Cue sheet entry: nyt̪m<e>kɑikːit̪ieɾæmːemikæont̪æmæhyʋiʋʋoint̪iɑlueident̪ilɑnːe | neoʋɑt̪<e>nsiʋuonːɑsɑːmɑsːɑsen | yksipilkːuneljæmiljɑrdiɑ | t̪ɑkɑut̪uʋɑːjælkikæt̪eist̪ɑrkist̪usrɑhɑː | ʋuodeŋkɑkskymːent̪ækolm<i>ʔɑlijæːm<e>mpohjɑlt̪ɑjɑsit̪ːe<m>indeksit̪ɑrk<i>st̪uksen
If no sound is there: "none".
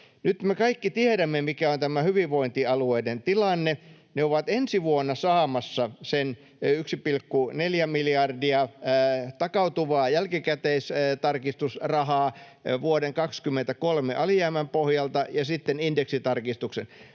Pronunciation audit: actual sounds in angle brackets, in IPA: e, e, e, æ, n, i

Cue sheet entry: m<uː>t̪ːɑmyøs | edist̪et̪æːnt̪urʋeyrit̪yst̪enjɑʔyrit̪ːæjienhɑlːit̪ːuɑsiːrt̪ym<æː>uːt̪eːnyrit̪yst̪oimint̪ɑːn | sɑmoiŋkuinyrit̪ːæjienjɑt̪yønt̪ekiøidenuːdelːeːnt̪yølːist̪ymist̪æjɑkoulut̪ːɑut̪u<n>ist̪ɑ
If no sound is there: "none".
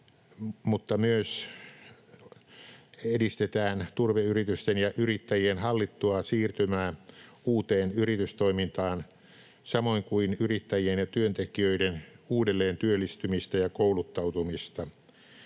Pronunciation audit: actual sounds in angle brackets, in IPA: u, æː, m

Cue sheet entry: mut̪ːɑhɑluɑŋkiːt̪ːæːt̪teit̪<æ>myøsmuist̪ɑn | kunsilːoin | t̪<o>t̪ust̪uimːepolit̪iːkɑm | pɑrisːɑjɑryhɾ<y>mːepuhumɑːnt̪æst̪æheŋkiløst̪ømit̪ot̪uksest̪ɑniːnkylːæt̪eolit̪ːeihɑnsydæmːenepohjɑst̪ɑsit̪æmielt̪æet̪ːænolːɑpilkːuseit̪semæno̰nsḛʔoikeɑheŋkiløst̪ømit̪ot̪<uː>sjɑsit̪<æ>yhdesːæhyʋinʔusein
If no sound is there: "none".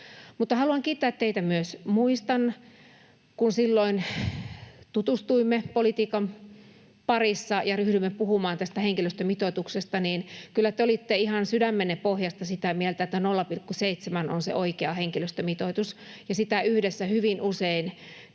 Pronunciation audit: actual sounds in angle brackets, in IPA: æ, u, y, u, æ

